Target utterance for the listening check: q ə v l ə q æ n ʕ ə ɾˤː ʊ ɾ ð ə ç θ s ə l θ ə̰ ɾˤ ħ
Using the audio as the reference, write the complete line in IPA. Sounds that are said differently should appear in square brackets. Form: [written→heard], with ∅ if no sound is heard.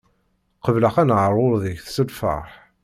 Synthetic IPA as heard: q ə v l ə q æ n ʕ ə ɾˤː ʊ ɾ ð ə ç θ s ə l [θ→f] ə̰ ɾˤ ħ